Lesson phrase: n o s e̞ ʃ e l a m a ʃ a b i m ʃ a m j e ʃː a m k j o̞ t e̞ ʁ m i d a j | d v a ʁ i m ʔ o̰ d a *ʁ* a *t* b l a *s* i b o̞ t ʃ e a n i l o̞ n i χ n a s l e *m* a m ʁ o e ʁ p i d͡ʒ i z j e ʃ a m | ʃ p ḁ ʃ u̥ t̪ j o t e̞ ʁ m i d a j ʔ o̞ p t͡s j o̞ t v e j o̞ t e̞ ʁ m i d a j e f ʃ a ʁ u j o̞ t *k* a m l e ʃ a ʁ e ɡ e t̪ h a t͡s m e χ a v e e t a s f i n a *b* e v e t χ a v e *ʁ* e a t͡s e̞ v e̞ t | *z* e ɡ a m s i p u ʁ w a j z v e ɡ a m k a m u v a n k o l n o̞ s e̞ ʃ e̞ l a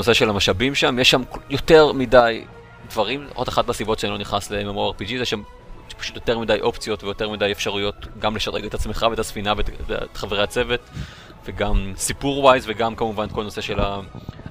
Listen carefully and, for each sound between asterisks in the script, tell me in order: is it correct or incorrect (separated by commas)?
incorrect, correct, correct, correct, incorrect, incorrect, correct, incorrect